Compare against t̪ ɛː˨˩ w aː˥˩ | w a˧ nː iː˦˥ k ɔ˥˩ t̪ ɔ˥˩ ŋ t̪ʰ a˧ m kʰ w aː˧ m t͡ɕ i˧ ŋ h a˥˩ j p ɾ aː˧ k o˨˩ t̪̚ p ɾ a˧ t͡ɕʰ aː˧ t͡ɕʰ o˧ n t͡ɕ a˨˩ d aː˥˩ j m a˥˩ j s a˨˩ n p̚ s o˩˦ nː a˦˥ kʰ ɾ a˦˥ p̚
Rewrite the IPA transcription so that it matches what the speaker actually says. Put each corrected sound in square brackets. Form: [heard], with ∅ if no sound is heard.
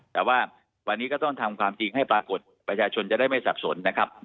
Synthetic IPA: t̪ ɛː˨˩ w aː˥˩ | w a˧ nː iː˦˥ k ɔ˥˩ t̪ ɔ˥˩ ŋ t̪ʰ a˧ m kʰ w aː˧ m t͡ɕ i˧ ŋ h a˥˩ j p ɾ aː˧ k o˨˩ t̪̚ p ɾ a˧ t͡ɕʰ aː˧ t͡ɕʰ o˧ n t͡ɕ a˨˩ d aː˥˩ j m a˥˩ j s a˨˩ [∅] p̚ s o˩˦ nː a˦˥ kʰ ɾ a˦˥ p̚